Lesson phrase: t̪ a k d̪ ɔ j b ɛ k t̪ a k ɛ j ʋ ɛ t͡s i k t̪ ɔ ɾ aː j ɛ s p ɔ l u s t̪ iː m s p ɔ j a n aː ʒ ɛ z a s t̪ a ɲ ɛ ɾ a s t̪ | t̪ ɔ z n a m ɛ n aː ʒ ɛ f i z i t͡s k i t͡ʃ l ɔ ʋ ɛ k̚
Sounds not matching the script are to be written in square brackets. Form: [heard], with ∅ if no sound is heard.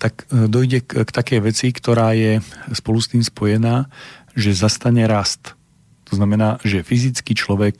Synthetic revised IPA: t̪ a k d̪ ɔ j [ɟ] ɛ k t̪ a k ɛ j ʋ ɛ t͡s i k t̪ ɔ ɾ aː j ɛ s p ɔ l u s t̪ iː m s p ɔ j [ɛ] n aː ʒ ɛ z a s t̪ a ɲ ɛ ɾ a s t̪ | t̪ ɔ z n a m ɛ n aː ʒ ɛ f i z i t͡s k i t͡ʃ l ɔ ʋ ɛ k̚